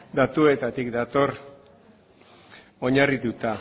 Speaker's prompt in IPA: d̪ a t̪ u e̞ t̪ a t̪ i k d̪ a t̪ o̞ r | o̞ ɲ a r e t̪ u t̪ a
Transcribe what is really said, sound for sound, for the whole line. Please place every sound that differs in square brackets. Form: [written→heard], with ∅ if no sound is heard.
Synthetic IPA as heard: d̪ a t̪ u e̞ t̪ a t̪ i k d̪ a t̪ o̞ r | o̞ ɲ a r [e→i] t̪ u t̪ a